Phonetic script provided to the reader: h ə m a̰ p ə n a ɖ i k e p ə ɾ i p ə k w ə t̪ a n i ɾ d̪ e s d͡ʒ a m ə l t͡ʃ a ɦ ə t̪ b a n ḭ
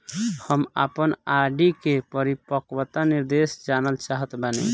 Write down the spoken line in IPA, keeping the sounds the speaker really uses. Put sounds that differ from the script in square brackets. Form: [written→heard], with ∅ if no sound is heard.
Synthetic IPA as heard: h ə m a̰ p ə n a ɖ i k e p ə ɾ i p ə k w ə t̪ a n i ɾ d̪ e s d͡ʒ a [m→n] ə l t͡ʃ a ɦ ə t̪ b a n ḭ